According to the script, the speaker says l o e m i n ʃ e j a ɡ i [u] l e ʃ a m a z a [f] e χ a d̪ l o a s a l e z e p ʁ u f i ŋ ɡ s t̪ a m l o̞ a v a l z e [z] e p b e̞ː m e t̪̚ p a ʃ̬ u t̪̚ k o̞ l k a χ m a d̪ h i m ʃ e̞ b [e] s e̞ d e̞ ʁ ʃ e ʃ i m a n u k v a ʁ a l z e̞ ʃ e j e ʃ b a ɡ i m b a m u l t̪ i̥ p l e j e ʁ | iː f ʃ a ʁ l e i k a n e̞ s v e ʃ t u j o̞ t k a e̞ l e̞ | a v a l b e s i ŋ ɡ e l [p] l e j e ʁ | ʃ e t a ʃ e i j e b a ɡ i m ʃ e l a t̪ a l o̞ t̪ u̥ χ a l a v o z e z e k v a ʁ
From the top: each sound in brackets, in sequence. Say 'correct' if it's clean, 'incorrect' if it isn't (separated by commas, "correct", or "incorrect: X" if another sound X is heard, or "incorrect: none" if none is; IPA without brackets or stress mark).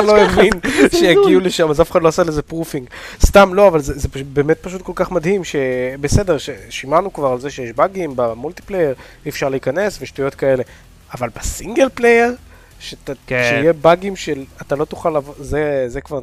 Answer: correct, correct, correct, correct, correct